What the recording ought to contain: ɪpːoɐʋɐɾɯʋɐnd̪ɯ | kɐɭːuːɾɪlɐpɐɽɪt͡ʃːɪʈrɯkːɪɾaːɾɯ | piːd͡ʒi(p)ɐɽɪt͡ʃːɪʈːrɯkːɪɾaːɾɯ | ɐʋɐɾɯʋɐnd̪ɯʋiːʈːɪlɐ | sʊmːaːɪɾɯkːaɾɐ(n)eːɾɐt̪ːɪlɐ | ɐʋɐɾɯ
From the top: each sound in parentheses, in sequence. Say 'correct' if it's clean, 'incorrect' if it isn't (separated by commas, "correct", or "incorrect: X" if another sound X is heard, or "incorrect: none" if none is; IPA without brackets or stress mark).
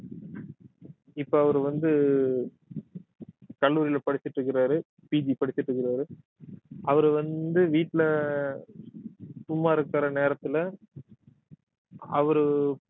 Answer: correct, correct